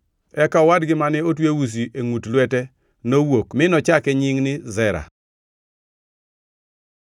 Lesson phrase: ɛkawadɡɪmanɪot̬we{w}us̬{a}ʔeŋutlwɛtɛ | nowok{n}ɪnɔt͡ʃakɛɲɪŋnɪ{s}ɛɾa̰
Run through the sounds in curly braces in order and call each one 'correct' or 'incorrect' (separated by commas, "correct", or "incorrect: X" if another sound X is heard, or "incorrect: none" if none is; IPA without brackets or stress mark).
correct, incorrect: i, incorrect: m, incorrect: z